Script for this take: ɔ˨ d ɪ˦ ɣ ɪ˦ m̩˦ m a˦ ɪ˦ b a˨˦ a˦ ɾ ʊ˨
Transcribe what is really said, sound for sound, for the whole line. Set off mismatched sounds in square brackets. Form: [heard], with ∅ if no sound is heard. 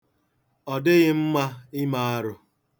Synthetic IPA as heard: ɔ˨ d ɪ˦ ɣ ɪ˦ m̩˦ m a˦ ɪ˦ [m] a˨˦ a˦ ɾ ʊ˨